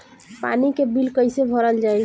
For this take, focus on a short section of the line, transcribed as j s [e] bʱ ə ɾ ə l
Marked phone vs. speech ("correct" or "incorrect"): correct